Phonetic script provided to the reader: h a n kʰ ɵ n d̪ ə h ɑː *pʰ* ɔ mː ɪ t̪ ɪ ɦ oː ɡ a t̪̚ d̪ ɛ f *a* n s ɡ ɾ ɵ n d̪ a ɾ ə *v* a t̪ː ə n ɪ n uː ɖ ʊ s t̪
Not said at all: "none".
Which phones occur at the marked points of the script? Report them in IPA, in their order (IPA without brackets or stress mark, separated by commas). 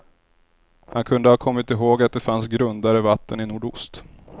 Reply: kʰ, a, v